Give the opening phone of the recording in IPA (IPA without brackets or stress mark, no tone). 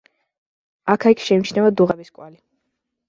a